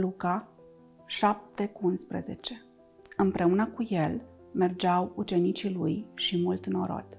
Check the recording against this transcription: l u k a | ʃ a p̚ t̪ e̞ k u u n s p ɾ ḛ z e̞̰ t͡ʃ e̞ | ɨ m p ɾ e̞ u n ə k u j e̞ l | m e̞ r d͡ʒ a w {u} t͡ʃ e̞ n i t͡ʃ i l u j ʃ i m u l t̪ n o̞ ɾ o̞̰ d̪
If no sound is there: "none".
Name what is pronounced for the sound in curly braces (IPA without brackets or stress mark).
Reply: u